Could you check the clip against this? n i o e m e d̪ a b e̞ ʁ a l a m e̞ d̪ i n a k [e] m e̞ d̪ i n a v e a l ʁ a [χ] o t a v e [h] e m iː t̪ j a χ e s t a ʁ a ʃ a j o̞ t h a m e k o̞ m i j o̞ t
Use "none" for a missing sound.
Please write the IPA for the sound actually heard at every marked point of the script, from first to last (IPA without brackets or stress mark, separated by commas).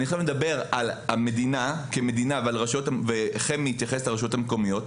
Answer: e, ʃ, χ